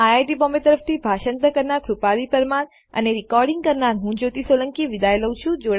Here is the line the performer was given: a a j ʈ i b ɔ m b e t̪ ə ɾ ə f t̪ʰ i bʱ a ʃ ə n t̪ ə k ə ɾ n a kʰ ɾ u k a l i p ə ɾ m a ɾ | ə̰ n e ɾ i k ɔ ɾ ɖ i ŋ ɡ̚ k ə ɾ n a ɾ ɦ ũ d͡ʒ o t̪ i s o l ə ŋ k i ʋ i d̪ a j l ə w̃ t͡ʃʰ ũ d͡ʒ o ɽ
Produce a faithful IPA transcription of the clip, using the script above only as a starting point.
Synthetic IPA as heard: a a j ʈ i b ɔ m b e t̪ ə ɾ ə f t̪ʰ i bʱ a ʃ ə n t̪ ə k ə ɾ n a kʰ ɾ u p a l i p ə ɾ m a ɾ | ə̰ n e ɾ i k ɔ ɾ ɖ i ŋ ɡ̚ k ə ɾ n a ɾ ɦ ũ d͡ʒ o t̪ i s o l ə ŋ k i ʋ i d̪ a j l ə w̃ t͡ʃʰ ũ d͡ʒ o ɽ